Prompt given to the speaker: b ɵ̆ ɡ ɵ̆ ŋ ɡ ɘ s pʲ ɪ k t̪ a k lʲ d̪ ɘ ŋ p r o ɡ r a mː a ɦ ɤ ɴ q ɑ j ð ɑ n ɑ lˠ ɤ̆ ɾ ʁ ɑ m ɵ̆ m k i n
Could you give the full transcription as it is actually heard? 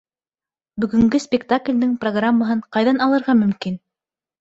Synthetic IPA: b ɵ̆ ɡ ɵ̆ ŋ ɡ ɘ s pʲ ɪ k t̪ a k lʲ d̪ ɘ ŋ p r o ɡ r a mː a ɦ ɤ ɴ q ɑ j ð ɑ n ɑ lˠ ɤ̆ ɾ ʁ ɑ m ɵ̆ m k i n